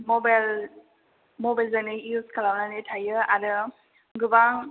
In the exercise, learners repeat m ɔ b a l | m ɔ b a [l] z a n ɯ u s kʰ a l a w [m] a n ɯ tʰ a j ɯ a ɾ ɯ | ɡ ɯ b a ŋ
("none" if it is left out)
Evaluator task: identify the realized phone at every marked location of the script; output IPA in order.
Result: l, n

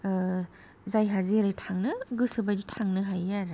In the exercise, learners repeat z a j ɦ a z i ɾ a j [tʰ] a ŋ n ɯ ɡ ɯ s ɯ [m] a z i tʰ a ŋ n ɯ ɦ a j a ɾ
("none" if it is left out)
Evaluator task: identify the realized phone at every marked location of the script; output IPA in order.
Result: tʰ, b

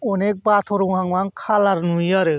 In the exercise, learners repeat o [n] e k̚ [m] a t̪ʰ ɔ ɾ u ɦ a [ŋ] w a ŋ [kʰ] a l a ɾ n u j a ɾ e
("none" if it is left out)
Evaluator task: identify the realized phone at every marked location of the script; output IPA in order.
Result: n, b, ŋ, kʰ

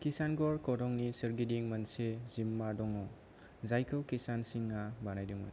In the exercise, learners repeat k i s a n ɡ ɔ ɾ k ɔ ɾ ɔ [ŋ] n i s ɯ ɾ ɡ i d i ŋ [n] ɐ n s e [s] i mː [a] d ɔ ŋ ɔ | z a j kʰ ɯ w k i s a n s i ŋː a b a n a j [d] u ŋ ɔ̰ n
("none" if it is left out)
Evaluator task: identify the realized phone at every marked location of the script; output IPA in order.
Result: ŋ, m, z, a, d

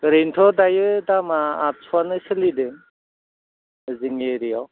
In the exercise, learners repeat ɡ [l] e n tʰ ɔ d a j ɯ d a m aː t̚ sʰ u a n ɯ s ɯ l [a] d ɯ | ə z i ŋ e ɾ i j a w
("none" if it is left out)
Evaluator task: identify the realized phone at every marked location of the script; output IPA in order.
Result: ɾ, i

